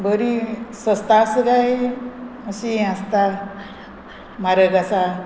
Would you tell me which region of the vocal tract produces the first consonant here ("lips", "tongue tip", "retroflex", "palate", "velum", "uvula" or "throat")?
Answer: lips